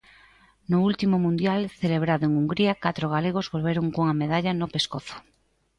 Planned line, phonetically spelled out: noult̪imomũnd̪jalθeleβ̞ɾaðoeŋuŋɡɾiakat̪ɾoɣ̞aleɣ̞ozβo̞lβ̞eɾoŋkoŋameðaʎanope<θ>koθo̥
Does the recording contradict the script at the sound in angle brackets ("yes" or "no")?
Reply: yes